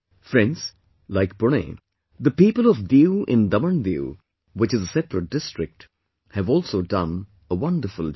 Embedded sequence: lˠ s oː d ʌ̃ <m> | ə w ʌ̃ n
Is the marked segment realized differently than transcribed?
yes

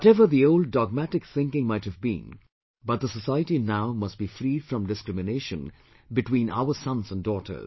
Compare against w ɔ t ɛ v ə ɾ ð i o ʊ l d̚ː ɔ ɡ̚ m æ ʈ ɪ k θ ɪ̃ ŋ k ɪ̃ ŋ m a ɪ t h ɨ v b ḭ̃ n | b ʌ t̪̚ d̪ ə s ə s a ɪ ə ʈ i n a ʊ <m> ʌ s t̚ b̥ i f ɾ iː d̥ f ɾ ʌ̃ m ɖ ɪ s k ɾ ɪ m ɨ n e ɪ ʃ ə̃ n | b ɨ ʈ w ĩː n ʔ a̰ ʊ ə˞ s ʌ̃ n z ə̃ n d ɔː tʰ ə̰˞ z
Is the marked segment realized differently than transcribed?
no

